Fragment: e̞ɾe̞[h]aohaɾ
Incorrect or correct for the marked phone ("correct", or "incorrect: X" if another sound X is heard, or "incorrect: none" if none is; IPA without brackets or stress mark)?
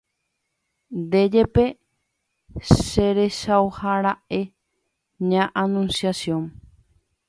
incorrect: ʃ